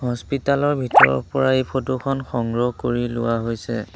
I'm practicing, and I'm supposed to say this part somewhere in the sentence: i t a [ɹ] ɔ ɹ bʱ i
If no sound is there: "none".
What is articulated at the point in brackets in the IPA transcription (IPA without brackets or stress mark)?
l